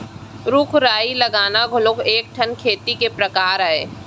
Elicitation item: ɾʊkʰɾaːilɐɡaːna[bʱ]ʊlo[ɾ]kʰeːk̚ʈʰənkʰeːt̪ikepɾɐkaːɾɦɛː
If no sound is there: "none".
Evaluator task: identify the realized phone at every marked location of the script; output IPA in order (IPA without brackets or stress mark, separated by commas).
ɡʱ, none